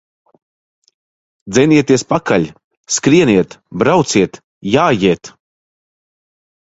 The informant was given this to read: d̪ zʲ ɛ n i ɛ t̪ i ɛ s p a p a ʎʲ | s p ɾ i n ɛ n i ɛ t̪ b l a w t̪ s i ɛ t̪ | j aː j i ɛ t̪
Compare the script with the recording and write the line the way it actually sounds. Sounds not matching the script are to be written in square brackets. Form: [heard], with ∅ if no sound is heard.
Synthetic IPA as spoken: d̪ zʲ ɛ n i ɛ t̪ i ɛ s p a [k] a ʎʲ | s [k] ɾ i [∅] ɛ n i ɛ t̪ b [ɾ] a w t̪ s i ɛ t̪ | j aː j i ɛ t̪